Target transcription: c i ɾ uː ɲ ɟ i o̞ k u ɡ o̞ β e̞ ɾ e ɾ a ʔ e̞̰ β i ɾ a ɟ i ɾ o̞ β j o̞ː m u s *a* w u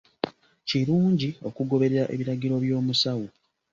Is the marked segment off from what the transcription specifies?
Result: no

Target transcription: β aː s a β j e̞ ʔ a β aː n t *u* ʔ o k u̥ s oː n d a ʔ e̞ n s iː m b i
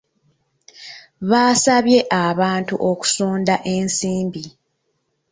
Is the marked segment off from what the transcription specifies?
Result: no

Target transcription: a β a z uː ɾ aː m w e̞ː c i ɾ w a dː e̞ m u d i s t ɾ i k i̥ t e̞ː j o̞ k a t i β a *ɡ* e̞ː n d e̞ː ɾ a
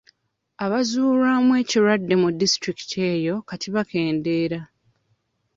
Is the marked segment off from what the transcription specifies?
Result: yes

